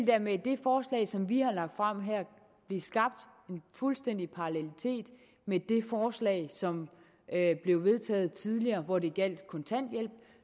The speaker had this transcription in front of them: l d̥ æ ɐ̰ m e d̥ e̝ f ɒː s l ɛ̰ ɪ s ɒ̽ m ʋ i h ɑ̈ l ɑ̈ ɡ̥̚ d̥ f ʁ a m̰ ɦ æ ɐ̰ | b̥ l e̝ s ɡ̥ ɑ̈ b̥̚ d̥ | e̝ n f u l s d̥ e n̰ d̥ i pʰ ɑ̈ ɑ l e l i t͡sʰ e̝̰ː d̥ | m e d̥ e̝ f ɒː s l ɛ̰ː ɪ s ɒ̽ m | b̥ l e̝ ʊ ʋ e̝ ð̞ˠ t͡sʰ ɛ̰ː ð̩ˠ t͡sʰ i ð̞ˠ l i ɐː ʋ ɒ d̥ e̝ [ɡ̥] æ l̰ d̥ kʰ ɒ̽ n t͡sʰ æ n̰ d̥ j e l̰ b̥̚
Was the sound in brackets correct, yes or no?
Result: yes